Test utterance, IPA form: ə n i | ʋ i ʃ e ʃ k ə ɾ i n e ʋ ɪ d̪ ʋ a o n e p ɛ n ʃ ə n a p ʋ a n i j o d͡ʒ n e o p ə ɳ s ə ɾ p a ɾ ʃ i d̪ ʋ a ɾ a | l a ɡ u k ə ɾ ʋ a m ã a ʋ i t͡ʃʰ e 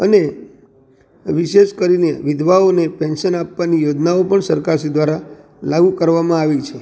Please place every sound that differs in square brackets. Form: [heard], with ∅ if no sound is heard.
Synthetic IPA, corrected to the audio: ə n [e] | ʋ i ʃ e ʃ k ə ɾ i n e ʋ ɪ d̪ ʋ a o n e p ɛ n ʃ ə n a p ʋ a n i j o d͡ʒ n [a] o p ə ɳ s ə ɾ [k] a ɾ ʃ i d̪ ʋ a ɾ a | l a ɡ u k ə ɾ ʋ a m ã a ʋ i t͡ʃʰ e